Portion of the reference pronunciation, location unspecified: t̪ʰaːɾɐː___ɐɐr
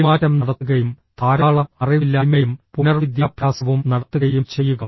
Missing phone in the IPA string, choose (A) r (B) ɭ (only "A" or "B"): B